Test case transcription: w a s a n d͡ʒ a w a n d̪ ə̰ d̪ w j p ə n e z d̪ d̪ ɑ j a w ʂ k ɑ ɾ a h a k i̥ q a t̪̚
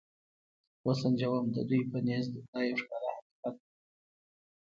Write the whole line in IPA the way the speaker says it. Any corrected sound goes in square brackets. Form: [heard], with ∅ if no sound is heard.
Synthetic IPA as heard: w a s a n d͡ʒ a w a [m] d̪ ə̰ d̪ [u] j p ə n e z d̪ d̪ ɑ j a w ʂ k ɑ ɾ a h a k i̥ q a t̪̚